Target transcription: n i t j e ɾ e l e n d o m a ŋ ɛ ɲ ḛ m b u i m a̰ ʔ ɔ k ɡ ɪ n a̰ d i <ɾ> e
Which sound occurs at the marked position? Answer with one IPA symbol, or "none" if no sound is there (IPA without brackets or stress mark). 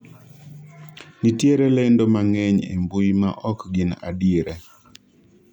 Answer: ɾ